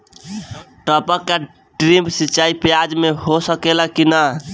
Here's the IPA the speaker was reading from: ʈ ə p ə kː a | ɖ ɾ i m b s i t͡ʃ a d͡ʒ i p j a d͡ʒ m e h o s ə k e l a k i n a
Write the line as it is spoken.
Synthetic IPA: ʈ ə p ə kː a | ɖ ɾ i m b s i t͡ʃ a i p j a d͡ʒ m e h o s ə k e l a k i n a